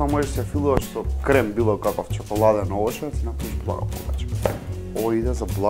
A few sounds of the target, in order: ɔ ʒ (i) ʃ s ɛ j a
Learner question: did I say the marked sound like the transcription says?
no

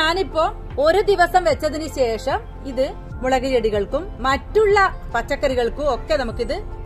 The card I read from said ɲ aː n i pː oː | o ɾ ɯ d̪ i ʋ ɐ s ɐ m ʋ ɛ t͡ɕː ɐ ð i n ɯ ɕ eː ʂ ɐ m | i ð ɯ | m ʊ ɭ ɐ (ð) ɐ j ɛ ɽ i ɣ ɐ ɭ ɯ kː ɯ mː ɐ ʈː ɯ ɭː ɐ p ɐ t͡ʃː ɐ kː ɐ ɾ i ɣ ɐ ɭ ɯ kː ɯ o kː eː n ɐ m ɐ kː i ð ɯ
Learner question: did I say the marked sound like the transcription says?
no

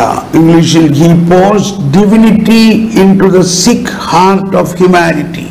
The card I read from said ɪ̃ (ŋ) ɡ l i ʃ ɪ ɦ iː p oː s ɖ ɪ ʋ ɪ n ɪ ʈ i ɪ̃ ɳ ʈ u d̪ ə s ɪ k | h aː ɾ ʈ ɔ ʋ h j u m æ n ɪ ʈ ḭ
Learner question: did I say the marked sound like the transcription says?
yes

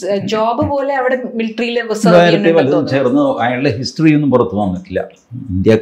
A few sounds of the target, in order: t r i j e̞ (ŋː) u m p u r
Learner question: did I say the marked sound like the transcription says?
no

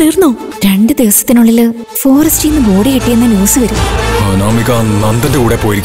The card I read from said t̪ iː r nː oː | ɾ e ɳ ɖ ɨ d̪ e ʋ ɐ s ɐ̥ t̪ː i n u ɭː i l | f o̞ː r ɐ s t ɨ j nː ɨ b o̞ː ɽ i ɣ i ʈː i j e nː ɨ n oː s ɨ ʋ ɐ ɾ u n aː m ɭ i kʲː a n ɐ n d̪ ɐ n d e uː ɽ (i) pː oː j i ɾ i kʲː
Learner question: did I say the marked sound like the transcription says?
no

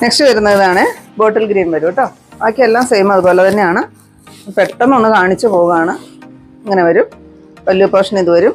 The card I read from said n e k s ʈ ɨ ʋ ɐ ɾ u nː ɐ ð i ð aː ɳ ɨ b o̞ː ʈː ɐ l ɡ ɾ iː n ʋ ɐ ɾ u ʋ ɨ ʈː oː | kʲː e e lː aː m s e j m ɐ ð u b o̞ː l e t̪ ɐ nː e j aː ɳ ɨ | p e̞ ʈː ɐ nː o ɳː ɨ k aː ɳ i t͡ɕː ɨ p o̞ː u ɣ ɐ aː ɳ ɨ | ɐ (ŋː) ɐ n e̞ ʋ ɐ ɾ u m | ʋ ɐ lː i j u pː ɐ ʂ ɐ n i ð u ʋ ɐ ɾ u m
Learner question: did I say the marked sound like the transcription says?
yes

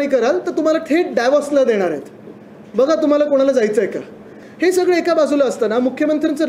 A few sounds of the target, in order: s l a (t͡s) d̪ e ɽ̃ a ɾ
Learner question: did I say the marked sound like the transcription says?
no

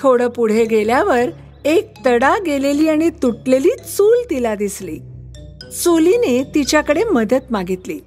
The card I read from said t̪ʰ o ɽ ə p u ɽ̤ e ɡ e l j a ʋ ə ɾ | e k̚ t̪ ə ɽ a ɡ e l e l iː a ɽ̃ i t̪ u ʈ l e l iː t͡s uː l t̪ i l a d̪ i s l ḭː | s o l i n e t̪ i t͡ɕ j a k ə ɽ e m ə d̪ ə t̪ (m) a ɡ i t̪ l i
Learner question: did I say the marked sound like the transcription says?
yes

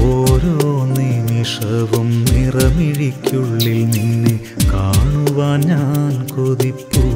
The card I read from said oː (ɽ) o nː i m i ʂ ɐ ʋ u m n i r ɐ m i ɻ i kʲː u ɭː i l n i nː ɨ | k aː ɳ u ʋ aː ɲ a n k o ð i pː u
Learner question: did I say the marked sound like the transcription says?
no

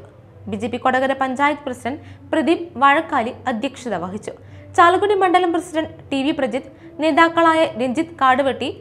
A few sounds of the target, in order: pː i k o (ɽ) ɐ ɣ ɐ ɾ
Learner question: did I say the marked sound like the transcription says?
yes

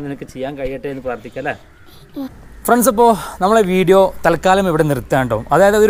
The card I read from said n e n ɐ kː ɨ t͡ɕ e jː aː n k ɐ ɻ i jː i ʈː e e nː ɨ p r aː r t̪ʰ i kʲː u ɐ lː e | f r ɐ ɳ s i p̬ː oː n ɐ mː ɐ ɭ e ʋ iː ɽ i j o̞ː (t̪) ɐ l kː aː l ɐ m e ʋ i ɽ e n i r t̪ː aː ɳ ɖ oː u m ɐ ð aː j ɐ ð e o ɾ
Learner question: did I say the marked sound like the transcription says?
yes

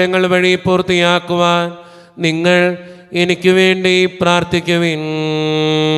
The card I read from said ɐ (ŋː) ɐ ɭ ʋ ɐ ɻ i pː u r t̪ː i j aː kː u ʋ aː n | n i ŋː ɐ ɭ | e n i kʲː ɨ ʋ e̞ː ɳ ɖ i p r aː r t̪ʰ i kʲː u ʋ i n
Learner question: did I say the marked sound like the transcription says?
yes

